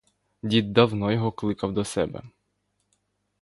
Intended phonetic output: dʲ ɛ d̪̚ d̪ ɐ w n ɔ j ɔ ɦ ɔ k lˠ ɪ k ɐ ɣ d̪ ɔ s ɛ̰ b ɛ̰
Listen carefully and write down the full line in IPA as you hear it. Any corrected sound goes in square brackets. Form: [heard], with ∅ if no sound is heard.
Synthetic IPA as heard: dʲ [i] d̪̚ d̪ ɐ w n ɔ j ɔ ɦ ɔ k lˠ ɪ k ɐ [w] d̪ ɔ s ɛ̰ b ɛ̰